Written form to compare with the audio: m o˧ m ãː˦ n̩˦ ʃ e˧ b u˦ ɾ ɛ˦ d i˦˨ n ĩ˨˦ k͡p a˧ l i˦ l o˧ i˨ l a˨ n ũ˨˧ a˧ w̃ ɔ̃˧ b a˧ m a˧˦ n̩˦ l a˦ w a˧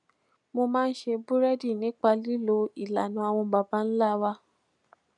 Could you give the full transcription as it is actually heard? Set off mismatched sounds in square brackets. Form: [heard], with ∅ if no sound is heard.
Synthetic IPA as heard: m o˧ m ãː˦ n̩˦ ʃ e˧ b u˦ ɾ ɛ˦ d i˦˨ n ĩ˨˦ k͡p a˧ l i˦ l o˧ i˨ l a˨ n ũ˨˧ a˧ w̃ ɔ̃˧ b a˧ [b] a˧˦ n̩˦ l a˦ w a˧